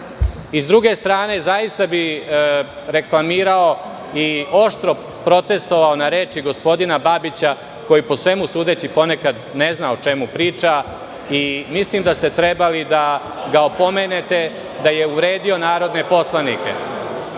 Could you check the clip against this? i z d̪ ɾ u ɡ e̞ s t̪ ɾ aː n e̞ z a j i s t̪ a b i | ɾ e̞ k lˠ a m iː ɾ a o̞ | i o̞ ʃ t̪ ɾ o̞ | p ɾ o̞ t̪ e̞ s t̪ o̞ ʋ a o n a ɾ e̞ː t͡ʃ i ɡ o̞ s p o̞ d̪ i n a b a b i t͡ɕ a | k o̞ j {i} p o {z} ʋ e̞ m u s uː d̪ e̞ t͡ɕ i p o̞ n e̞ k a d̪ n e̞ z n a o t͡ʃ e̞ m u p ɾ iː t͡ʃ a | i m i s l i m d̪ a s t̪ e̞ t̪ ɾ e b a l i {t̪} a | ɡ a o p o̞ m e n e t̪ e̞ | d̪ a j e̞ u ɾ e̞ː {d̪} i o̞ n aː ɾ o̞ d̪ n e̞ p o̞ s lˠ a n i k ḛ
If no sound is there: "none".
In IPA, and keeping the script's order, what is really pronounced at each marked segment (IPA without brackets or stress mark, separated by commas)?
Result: i, s, d̪, d̪